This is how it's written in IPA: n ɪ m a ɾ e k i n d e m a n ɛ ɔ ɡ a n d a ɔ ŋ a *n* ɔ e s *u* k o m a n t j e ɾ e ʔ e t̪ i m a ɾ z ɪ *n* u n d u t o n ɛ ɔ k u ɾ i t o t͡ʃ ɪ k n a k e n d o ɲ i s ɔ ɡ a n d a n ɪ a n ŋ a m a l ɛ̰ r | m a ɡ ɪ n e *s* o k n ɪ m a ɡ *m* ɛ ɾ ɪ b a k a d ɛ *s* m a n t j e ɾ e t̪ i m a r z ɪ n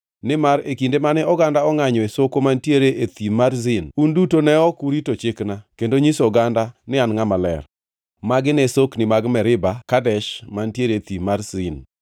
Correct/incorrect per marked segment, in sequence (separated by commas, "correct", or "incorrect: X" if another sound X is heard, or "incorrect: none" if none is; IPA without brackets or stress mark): incorrect: ɲ, incorrect: o, correct, correct, correct, incorrect: ʃ